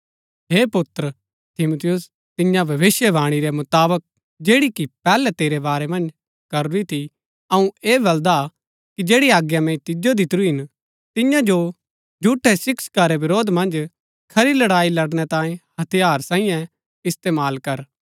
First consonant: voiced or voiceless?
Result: voiced